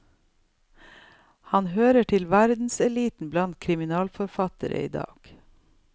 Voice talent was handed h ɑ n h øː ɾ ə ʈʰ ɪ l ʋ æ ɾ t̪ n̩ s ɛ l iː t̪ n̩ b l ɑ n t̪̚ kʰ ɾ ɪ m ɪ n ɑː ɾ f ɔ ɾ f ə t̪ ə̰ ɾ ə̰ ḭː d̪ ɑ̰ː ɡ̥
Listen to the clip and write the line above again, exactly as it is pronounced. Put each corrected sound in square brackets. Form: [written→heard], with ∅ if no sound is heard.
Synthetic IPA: h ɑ n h øː ɾ ə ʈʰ ɪ l ʋ æ ɾ [t̪→d̪] n̩ s ɛ l iː t̪ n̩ b l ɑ n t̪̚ kʰ ɾ ɪ m ɪ n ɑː [ɾ→l] f ɔ ɾ f [ə→ɑ] t̪ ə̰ ɾ ə̰ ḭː d̪ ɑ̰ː ɡ̥